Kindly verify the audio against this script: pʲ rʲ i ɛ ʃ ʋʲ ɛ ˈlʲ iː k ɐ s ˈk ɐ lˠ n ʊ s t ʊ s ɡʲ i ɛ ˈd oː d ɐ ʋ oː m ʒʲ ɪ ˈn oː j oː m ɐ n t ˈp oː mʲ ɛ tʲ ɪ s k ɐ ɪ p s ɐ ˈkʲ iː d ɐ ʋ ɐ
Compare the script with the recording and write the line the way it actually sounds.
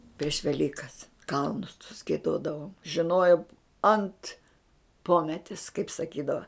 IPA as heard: pʲ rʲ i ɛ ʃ ʋʲ ɛ ˈlʲ iː k ɐ s ˈk ɐ lˠ n ʊ s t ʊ s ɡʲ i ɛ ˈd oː d ɐ ʋ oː m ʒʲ ɪ ˈn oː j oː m ɐ n t ˈp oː mʲ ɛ tʲ ɪ s k ɐ ɪ p s ɐ ˈkʲ iː d ɐ ʋ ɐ